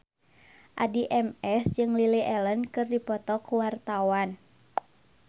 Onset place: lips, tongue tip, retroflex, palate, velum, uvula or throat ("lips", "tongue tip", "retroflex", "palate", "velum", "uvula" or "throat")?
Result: throat